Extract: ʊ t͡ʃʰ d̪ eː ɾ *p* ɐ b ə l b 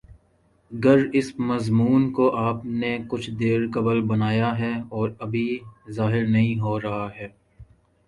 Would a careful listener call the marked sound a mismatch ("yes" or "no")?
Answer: yes